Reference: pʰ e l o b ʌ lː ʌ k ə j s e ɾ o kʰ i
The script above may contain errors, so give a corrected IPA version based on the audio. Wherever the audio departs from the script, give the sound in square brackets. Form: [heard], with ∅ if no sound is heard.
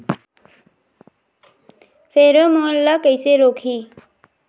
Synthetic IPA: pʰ e [ɾ] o [m] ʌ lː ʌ k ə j s e ɾ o kʰ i

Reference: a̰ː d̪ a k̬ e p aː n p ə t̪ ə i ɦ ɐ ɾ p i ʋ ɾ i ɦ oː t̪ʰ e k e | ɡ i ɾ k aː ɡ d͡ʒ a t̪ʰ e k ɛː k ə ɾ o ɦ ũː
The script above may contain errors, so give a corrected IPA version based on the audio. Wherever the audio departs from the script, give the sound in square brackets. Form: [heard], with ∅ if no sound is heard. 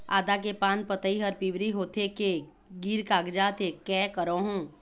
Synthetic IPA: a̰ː d̪ a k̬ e p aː n p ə t̪ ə i ɦ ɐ ɾ p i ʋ ɾ i ɦ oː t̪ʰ e k e | ɡ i ɾ k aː ɡ d͡ʒ a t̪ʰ e k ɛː k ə ɾ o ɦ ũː

